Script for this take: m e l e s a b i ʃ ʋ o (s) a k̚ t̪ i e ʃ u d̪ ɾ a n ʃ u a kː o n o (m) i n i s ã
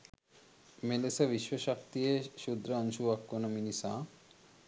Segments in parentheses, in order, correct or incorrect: incorrect: ʃ, correct

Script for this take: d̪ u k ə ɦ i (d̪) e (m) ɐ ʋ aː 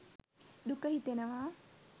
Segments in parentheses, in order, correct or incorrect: incorrect: t̪, incorrect: n

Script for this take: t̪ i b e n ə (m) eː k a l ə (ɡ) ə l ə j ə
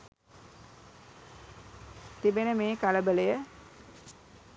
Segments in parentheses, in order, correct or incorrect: correct, incorrect: b

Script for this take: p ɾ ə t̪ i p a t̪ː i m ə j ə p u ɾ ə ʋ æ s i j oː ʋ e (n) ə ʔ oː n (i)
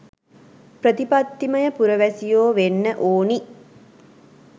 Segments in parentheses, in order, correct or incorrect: incorrect: nː, correct

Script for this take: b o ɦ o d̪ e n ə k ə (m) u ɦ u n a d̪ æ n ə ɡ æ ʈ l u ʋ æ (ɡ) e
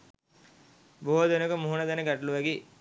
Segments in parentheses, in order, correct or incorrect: correct, correct

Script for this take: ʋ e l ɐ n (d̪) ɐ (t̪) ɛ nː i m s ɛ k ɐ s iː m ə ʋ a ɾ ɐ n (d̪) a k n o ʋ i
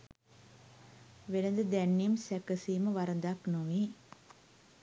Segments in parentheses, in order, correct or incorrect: correct, incorrect: d̪, correct

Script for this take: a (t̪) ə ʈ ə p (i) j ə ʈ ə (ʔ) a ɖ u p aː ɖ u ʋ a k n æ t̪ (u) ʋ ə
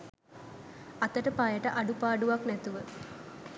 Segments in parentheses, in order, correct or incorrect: correct, incorrect: a, correct, correct

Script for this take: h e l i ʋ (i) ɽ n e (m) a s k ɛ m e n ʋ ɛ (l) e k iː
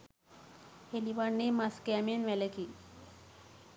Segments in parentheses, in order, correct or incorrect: incorrect: a, correct, correct

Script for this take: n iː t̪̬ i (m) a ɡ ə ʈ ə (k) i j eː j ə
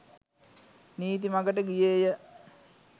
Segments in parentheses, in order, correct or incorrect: correct, incorrect: ɡ

